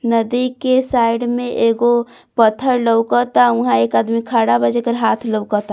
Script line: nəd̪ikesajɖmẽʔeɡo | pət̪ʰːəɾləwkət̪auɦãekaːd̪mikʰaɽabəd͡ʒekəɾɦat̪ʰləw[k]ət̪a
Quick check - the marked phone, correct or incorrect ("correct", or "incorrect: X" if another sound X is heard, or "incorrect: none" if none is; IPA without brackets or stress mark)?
correct